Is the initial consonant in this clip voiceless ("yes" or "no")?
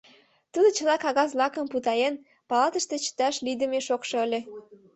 yes